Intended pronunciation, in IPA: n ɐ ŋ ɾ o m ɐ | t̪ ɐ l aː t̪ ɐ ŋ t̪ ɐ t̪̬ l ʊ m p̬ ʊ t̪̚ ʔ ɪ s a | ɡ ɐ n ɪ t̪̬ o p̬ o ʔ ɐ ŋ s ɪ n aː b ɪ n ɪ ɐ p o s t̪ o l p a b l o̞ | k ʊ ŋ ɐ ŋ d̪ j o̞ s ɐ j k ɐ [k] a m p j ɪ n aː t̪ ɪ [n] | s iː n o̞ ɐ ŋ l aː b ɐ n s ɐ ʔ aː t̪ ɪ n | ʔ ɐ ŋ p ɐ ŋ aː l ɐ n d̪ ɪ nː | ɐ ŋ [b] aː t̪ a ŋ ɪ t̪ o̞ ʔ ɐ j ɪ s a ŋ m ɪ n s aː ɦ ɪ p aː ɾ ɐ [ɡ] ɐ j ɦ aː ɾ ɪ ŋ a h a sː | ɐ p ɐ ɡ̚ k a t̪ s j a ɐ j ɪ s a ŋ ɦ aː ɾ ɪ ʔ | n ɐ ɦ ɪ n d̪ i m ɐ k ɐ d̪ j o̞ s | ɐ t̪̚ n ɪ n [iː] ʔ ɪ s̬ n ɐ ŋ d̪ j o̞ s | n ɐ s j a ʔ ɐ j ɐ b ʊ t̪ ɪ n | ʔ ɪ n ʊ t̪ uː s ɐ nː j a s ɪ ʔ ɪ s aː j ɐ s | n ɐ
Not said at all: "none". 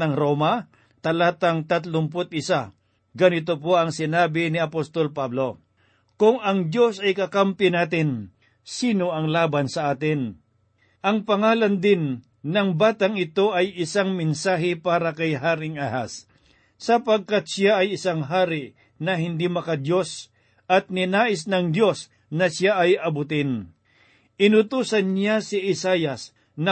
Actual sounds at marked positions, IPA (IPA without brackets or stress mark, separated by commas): k, n, b, k, aː